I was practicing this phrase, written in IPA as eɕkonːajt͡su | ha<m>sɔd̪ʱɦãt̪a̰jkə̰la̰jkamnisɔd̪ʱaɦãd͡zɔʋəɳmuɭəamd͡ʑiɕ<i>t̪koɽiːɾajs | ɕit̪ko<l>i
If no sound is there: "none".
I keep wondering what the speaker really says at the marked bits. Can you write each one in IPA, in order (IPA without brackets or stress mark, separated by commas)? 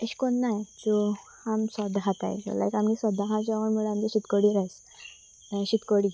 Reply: m, i, ɽ